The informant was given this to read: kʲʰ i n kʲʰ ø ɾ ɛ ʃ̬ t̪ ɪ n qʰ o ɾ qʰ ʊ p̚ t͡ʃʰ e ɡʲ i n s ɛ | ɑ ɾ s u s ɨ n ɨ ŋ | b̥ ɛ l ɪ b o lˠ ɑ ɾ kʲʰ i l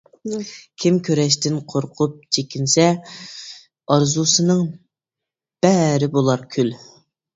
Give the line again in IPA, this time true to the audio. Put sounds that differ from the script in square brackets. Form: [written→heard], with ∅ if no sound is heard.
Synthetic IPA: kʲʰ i [n→m] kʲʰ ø ɾ ɛ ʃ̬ t̪ ɪ n qʰ o ɾ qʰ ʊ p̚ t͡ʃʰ e [ɡʲ→kʲ] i n s ɛ | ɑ ɾ [s→z] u s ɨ n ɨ ŋ | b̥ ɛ [l→ɾ] ɪ b o lˠ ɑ ɾ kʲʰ [i→y] l

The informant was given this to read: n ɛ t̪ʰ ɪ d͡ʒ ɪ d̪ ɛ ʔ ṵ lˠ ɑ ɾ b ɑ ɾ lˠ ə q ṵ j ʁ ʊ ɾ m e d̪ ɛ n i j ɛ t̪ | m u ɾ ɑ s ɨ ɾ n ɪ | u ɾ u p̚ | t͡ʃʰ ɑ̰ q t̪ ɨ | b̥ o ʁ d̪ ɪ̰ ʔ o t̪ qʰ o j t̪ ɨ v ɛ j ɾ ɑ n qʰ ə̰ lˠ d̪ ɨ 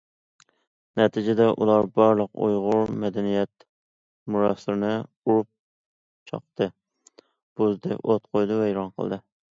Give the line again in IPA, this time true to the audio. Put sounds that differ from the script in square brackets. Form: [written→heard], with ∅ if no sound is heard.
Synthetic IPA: n ɛ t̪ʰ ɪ d͡ʒ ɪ d̪ ɛ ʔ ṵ lˠ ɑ ɾ b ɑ ɾ lˠ ə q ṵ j ʁ ʊ ɾ m [e→ɛ] d̪ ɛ n i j ɛ t̪ | m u ɾ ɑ s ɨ ɾ n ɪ | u ɾ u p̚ | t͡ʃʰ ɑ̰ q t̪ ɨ | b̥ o [ʁ→z] d̪ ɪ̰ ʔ o t̪ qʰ o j [t̪→d̪] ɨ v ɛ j ɾ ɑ n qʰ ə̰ lˠ d̪ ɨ

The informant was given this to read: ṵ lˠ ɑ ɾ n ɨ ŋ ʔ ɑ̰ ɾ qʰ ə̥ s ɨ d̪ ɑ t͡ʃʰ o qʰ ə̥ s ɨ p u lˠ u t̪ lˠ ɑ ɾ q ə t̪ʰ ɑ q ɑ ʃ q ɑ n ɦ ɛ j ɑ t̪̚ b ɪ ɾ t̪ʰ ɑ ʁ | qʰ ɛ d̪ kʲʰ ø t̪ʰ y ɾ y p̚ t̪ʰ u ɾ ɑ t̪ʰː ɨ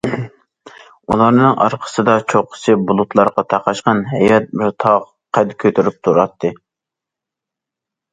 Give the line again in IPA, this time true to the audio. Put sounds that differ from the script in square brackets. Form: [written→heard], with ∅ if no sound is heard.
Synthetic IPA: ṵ lˠ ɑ ɾ n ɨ ŋ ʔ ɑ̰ ɾ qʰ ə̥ s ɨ d̪ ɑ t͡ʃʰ o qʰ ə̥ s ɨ [p→b] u lˠ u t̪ lˠ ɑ ɾ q [ə→ɑ] t̪ʰ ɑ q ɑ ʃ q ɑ n ɦ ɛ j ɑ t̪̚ b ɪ ɾ t̪ʰ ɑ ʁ | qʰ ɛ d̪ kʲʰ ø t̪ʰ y ɾ y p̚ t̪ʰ u ɾ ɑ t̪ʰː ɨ

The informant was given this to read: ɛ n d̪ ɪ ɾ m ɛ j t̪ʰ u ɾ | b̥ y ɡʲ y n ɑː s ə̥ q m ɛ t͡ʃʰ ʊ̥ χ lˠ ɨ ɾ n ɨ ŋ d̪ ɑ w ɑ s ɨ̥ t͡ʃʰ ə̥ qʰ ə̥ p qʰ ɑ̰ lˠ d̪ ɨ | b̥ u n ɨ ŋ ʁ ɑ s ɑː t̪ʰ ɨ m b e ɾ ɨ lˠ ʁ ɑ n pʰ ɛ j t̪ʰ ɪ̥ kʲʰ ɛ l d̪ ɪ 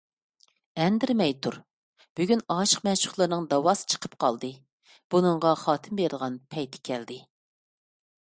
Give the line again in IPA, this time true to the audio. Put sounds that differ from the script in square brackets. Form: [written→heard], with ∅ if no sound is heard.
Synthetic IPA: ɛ n d̪ ɪ ɾ m ɛ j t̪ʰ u ɾ | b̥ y ɡʲ y n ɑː [s→ʃ] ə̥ q m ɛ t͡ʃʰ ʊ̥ χ lˠ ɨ ɾ n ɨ ŋ d̪ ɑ w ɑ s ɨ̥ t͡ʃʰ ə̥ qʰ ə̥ p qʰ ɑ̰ lˠ d̪ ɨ | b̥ u n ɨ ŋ ʁ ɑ [s→χ] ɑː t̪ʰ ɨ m b e ɾ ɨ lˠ ʁ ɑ n pʰ ɛ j t̪ʰ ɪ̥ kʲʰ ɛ l d̪ ɪ

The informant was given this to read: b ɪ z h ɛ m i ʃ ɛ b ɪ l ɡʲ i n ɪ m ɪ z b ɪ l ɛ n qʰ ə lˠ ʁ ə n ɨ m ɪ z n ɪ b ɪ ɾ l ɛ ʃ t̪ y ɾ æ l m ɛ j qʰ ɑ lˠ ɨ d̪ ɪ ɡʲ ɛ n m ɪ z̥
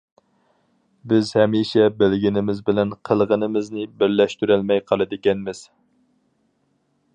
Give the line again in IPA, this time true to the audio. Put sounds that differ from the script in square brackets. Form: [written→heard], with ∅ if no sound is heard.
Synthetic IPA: b ɪ z h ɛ m i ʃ ɛ b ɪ l ɡʲ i n ɪ m ɪ z b ɪ l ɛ n qʰ ə lˠ ʁ ə n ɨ m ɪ z n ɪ b ɪ ɾ l ɛ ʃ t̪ y ɾ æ l m ɛ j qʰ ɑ lˠ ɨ d̪ ɪ [ɡʲ→kʲ] ɛ n m ɪ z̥

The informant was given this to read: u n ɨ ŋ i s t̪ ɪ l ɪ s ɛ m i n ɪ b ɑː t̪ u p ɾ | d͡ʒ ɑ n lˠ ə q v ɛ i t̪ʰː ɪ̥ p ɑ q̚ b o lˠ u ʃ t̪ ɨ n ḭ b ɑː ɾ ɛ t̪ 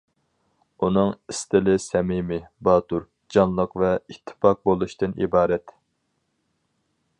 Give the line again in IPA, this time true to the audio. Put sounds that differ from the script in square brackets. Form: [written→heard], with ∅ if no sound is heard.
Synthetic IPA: u n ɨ ŋ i s t̪ ɪ l ɪ s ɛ m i [n→m] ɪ b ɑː t̪ u [p→∅] ɾ | d͡ʒ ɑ n lˠ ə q v ɛ i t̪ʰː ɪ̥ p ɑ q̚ b o lˠ u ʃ t̪ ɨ n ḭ b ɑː ɾ ɛ t̪

